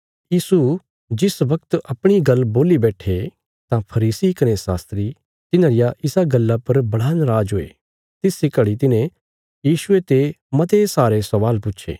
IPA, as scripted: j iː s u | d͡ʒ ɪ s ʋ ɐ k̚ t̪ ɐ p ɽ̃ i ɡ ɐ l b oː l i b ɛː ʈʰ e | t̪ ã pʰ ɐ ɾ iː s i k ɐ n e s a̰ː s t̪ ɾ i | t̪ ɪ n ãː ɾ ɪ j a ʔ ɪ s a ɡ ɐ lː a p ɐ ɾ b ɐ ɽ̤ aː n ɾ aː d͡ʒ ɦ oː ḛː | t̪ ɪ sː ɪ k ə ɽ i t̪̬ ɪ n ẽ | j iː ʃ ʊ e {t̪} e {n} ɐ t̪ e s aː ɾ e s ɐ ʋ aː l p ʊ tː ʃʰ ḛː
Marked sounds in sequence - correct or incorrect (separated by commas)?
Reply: correct, incorrect